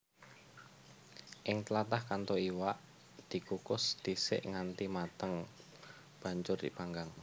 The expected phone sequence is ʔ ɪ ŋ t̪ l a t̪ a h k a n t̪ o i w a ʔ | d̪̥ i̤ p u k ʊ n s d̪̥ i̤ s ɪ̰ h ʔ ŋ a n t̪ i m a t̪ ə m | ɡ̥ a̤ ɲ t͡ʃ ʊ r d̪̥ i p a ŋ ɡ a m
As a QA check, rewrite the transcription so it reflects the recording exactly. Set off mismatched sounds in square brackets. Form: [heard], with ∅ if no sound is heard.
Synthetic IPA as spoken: ʔ ɪ ŋ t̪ l a t̪ a h k a n t̪ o i w a ʔ | d̪̥ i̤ [k] u k ʊ [∅] s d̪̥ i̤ s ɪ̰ [∅] ʔ ŋ a n t̪ i m a t̪ ə [ŋ] | [b̥] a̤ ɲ t͡ʃ ʊ r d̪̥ i p a ŋ ɡ a [ŋ]